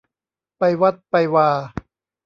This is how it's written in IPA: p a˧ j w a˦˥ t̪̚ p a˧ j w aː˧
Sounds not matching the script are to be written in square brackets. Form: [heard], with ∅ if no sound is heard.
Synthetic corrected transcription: p a˧ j w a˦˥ t̪̚ p a˧ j w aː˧